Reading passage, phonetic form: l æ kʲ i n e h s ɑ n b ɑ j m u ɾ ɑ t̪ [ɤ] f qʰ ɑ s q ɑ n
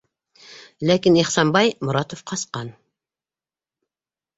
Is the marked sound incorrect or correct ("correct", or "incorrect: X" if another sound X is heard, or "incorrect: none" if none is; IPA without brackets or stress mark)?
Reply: incorrect: o